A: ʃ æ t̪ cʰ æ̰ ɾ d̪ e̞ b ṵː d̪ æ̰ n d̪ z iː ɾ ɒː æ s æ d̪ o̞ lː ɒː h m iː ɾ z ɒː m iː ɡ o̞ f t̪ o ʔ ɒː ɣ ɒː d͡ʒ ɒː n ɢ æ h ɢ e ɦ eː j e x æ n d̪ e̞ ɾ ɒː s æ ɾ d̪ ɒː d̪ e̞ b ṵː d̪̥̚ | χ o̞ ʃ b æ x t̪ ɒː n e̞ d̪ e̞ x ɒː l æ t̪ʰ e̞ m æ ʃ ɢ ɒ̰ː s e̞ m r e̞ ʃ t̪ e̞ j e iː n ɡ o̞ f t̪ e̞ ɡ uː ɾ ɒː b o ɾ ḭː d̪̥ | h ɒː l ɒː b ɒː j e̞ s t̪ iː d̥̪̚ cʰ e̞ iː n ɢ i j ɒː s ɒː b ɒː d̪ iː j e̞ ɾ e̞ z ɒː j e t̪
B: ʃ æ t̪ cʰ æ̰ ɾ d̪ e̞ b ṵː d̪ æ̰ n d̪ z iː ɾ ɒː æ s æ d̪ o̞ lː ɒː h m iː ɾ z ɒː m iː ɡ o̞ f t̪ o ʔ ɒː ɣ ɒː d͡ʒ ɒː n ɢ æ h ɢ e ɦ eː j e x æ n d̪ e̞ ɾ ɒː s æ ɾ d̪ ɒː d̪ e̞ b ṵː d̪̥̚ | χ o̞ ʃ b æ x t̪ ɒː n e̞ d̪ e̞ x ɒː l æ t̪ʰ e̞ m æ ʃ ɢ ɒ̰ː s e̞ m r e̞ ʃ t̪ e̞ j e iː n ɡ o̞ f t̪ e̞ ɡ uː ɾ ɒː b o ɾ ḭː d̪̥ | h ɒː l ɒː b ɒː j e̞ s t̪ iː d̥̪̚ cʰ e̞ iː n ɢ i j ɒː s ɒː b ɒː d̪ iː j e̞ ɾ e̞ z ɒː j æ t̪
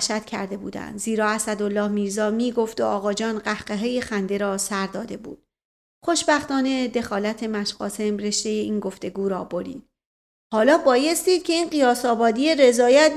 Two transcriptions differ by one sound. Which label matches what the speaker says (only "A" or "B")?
B